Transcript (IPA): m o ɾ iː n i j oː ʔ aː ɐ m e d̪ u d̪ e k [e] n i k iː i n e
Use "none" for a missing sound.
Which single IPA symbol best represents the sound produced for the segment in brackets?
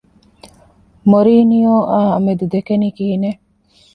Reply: e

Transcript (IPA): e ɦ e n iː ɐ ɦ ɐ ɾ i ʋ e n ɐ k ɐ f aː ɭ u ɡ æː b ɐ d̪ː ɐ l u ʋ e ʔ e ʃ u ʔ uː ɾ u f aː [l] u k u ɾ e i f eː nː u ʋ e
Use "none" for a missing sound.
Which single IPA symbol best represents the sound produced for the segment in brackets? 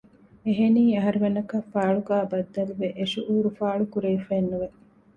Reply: ɭ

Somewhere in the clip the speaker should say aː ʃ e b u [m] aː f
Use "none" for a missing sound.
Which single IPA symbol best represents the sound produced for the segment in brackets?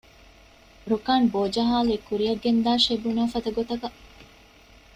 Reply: n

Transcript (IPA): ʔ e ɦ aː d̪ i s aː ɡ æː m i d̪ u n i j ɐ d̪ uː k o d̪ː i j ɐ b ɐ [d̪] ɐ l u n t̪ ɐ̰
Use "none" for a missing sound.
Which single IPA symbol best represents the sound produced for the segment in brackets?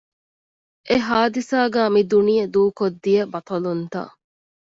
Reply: t̪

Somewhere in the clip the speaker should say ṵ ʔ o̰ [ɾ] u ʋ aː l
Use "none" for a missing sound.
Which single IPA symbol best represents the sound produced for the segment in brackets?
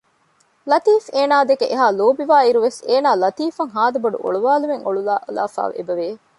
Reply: ɭ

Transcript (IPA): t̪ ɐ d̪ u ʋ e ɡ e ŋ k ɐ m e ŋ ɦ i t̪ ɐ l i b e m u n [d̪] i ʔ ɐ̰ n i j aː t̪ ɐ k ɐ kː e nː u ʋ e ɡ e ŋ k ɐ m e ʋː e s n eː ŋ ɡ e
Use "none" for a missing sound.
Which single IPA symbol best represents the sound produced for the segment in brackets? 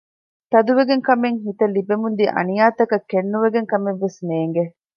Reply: d̪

